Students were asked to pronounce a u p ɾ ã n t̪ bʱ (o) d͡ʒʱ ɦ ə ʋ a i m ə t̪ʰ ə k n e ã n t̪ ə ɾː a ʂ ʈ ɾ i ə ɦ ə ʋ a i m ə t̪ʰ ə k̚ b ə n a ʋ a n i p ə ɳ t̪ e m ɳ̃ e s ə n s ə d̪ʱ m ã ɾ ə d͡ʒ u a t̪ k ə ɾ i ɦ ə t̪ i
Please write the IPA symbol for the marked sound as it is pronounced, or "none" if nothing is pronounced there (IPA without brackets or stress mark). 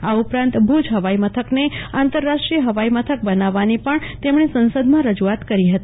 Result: u